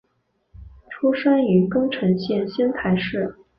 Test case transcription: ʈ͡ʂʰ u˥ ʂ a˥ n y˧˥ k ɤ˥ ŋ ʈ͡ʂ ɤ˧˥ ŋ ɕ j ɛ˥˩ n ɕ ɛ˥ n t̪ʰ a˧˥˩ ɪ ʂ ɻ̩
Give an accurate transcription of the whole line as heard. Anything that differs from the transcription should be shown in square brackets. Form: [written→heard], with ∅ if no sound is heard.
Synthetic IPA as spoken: ʈ͡ʂʰ u˥ ʂ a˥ n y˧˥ k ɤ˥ ŋ [ʈ͡ʂ→ʈ͡ʂʰ] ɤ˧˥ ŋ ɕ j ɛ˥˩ n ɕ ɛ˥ n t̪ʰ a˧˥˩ ɪ ʂ ɻ̩